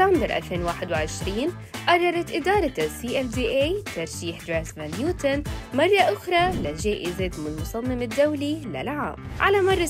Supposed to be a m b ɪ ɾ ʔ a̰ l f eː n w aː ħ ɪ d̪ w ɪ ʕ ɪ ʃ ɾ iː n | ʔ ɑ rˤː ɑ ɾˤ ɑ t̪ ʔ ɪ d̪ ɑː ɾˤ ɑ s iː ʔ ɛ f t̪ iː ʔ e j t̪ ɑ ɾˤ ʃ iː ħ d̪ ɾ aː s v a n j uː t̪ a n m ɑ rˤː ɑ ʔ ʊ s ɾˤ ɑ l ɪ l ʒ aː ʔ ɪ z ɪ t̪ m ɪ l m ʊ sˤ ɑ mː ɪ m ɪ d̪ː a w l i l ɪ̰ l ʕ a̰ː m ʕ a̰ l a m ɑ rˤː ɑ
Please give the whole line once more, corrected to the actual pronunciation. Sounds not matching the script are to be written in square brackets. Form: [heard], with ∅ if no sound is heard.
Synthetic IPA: a m b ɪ ɾ ʔ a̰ l f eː n w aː ħ ɪ d̪ w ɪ ʕ ɪ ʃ ɾ iː n | ʔ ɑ rˤː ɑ ɾˤ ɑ t̪ ʔ ɪ d̪ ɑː ɾˤ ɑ s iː ʔ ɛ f [d̪] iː ʔ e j t̪ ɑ ɾˤ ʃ iː ħ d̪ ɾ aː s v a n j uː t̪ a n m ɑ rˤː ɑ ʔ ʊ [x] ɾˤ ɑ l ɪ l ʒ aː ʔ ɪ z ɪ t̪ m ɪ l m ʊ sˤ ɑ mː ɪ m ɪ d̪ː a w l i l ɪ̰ l ʕ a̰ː m ʕ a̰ l a m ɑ rˤː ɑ